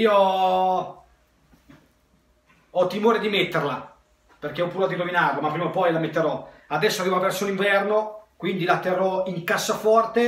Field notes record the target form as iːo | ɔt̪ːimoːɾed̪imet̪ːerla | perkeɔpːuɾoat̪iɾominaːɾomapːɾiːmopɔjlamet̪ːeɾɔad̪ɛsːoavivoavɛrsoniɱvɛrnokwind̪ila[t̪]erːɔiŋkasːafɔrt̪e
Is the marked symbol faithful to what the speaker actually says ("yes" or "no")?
yes